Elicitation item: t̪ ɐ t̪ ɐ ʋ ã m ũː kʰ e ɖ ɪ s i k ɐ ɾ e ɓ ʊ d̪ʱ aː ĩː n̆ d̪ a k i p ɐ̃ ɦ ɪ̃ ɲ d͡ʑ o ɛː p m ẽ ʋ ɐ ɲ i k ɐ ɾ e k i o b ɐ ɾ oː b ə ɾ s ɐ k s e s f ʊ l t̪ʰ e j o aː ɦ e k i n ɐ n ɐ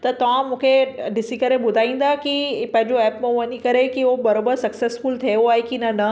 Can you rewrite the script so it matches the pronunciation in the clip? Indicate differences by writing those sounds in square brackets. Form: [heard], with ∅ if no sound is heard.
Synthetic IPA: t̪ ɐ t̪ ɐ ʋ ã m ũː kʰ e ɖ ɪ s i k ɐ ɾ e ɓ ʊ d̪ʱ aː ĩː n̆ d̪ a k i p ɐ̃ ɦ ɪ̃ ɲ d͡ʑ o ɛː p m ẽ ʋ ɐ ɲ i k ɐ ɾ e k i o b ɐ ɾ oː b ə ɾ s ɐ k s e s f ʊ l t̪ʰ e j o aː ɦ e k i n ɐ n ɐ